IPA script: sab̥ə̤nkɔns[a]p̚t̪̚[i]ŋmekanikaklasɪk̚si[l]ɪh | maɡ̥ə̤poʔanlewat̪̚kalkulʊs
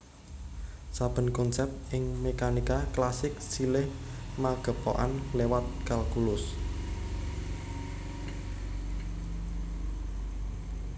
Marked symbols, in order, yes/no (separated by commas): no, no, yes